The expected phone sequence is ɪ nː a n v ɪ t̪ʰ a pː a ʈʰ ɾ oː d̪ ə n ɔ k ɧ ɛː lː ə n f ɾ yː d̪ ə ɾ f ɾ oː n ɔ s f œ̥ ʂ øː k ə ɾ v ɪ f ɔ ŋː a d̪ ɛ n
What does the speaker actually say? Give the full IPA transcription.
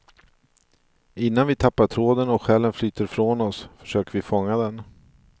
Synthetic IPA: ɪ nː a n v ɪ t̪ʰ a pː a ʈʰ ɾ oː d̪ ə n ɔ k ɧ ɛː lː ə n f l yː t̪ ə ɾ f ɾ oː n ɔ s f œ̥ ʂ øː k ə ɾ v ɪ f ɔ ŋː a d̪ ɛ n

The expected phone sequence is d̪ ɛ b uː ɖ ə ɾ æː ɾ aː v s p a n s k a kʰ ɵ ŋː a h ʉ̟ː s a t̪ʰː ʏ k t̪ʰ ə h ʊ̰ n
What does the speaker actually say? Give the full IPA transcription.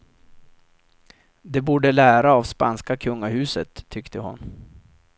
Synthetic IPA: d̪ ɛ b uː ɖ ə l æː ɾ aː v s p a n s k a kʰ ɵ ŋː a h ʉ̟ː s ə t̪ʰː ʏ k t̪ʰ ə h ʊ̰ n

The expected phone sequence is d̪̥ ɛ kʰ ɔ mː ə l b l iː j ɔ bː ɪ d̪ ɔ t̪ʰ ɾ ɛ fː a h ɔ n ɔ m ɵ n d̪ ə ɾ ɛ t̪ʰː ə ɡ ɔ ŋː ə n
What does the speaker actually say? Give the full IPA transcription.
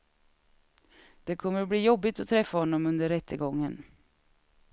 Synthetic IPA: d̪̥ ɛ kʰ ɔ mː ə ɾ b l iː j ɔ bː ɪ t̪ ɔ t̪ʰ ɾ ɛ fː a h ɔ nː ɔ m ɵ n d̪ ə ɾ ɛ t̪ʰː ə ɡ ɔ ŋː ə n

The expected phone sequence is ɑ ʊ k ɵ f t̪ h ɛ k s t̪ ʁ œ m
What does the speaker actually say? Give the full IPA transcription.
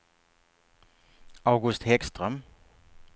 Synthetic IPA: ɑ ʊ ɡ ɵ s t̪ h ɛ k s t̪ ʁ œ m

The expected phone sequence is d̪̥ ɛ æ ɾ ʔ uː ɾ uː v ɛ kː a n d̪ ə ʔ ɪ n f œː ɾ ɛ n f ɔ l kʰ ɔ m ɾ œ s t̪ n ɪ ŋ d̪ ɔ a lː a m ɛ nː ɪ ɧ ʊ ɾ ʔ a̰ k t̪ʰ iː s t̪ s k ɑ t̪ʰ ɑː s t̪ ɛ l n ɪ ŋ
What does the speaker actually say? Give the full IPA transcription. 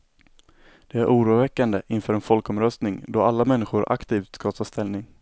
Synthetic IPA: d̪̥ ɛ æ ɾ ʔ uː ɾ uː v ɛ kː a n d̪ ə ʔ ɪ n f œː ɾ ɛ n f ɔ l k ɔ m ɾ œ s t̪ n ɪ ŋ d̪ ɔ a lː a m ɛ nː ɪ ɧ ʊ ɾ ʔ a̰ k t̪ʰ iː f t̪ s k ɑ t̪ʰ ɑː s t̪ ɛ l n ɪ ŋ

